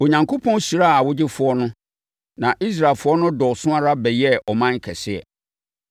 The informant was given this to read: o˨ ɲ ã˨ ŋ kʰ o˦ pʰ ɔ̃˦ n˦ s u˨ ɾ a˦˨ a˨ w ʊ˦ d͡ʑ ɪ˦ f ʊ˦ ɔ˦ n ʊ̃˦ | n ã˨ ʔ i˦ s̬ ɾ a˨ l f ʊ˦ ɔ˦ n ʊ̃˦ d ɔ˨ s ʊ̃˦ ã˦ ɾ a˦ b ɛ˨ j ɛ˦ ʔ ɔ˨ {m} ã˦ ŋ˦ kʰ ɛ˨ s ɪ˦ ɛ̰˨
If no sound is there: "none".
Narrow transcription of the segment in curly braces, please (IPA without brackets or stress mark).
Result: m